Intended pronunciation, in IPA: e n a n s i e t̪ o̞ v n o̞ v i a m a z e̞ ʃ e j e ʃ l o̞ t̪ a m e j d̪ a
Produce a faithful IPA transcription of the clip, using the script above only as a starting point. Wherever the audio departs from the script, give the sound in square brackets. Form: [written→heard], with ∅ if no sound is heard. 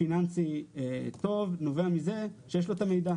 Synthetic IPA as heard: [e→i] n a n s i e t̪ o̞ v n o̞ v [i→e] a m [a→i] z e̞ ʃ e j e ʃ l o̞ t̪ a m e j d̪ a